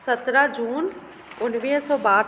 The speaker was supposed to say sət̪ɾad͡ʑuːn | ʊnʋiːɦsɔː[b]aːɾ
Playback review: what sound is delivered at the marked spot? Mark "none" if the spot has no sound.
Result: b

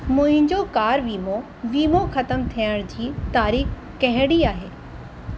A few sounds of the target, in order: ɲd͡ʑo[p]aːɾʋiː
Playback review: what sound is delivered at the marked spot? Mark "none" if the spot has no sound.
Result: k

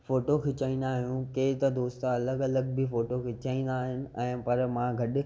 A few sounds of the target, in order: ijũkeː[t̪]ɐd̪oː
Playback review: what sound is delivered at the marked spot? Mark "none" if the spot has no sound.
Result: t̪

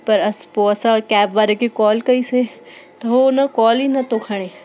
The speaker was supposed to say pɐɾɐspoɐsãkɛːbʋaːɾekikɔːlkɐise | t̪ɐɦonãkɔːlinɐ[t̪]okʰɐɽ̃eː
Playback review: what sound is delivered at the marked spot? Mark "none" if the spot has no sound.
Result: t̪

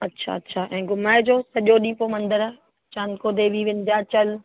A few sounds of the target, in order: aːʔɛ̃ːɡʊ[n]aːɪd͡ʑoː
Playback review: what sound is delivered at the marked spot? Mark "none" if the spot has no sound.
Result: m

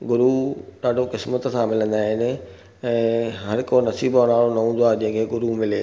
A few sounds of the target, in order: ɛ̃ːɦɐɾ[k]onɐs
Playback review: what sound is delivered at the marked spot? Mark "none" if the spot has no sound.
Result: k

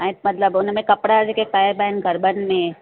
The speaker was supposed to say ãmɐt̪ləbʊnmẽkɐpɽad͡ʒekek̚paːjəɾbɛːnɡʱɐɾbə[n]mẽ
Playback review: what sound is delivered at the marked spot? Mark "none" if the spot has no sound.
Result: n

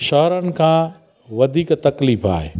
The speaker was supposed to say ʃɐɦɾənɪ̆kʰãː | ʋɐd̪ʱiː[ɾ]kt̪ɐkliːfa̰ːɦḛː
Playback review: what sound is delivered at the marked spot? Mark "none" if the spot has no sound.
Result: none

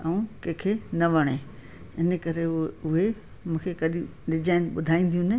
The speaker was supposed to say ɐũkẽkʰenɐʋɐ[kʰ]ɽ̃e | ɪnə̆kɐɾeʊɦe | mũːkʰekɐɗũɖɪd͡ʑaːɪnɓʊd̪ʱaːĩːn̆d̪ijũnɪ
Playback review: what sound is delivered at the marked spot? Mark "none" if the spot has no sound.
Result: none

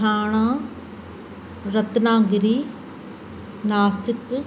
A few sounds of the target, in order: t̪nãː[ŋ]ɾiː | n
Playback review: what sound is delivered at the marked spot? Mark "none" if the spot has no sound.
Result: ɡ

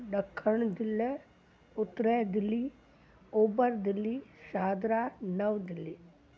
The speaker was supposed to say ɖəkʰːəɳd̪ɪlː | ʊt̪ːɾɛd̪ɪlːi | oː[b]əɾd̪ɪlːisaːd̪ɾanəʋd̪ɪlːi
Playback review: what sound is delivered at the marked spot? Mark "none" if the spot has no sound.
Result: b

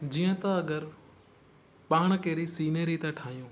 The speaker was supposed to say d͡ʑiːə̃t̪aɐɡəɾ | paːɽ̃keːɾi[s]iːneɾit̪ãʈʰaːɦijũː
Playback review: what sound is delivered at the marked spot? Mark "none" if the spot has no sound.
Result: s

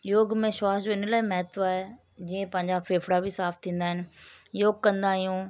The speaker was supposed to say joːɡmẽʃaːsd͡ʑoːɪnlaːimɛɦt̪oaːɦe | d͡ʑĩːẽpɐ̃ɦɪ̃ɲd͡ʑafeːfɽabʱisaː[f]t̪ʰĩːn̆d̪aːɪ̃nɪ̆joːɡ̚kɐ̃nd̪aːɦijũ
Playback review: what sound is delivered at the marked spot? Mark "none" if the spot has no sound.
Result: f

